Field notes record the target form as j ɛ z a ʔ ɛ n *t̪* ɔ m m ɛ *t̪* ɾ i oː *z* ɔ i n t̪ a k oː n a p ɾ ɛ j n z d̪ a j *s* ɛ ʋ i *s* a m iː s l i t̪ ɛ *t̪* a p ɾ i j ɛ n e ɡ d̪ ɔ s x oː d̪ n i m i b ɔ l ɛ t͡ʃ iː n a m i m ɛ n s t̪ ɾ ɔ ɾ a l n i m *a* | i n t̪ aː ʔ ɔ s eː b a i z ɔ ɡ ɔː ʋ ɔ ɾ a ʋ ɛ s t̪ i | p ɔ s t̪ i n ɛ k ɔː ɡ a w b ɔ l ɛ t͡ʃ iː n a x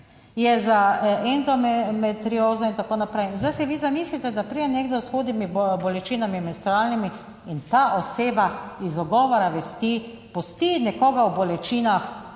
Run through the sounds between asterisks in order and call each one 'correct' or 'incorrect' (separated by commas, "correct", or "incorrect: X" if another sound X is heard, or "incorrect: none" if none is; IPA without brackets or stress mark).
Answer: incorrect: d̪, correct, correct, correct, incorrect: z, incorrect: d̪, incorrect: i